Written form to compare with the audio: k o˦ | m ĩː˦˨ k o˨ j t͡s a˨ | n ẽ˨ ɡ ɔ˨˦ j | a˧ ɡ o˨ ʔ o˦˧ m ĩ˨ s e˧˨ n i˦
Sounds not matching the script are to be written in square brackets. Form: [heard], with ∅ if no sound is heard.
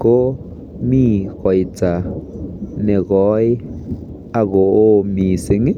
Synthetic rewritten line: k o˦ | m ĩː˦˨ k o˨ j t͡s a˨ | n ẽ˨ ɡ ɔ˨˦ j | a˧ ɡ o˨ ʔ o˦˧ m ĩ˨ s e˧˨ [ŋ] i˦